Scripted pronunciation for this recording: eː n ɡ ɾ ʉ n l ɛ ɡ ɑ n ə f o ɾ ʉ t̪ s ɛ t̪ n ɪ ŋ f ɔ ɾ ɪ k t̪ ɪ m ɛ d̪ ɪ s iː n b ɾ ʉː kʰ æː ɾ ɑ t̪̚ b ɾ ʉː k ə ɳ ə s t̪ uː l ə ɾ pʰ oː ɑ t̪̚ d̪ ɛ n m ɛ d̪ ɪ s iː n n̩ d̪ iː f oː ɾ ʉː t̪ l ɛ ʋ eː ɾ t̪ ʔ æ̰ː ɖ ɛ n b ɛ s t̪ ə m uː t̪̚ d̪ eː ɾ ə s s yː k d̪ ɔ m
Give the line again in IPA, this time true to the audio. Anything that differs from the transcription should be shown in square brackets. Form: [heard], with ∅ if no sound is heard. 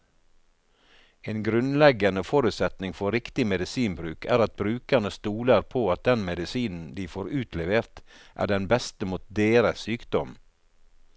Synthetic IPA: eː n ɡ ɾ ʉ n l ɛ ɡ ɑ n ə f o ɾ ʉ t̪ s ɛ t̪ n ɪ ŋ f ɔ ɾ ɪ k t̪ ɪ m ɛ d̪ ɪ s iː n b ɾ ʉː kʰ æː ɾ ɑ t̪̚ b ɾ ʉː k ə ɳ ə s t̪ uː l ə ɾ pʰ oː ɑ t̪̚ d̪ ɛ n m ɛ d̪ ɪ s iː n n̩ d̪ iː f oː ɾ ʉː t̪ l ɛ ʋ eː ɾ t̪ ʔ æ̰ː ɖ ɛ n b ɛ s t̪ ə m uː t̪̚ d̪ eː ɾ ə s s yː k d̪ ɔ m